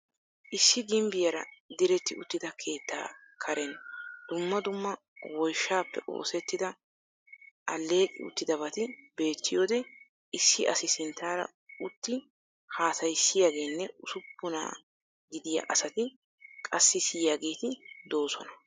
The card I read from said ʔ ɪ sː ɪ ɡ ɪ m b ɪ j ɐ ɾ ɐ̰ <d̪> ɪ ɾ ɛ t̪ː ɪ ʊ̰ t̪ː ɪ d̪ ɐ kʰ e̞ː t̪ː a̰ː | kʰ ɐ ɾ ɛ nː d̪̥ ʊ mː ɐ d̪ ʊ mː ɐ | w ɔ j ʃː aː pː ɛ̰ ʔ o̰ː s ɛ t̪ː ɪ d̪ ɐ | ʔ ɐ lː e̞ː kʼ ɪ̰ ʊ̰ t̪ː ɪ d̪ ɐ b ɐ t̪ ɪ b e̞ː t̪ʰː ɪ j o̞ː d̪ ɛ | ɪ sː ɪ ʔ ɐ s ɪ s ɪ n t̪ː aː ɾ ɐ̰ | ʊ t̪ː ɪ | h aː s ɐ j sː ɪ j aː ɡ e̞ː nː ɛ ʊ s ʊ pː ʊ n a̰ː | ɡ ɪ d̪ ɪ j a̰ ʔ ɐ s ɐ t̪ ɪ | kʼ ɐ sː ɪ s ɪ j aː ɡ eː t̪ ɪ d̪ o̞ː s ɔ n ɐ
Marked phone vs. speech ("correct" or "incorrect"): correct